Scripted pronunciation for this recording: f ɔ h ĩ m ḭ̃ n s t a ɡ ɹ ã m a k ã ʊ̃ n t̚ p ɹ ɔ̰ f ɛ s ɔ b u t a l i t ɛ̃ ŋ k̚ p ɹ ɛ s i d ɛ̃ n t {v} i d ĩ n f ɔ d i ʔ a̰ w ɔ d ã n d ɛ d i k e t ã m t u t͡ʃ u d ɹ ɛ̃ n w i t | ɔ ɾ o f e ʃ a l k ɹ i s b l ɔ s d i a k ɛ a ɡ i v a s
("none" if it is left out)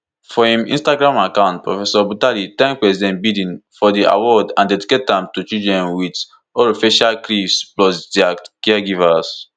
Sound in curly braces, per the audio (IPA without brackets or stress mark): b